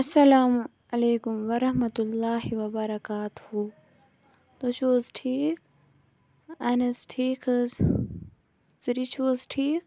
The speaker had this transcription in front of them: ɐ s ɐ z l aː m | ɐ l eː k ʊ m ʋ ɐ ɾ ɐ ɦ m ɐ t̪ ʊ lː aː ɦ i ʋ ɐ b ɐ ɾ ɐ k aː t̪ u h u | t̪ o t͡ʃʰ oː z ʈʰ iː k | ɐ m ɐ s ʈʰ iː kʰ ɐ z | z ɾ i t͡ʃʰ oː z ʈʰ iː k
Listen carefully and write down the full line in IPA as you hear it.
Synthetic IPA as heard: ɐ s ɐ l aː m | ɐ l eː k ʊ m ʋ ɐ ɾ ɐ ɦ m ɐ t̪ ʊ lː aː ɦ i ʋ ɐ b ɐ ɾ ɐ k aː t̪ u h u | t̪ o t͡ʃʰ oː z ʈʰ iː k | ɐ n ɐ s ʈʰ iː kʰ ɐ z | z ɾ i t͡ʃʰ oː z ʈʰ iː k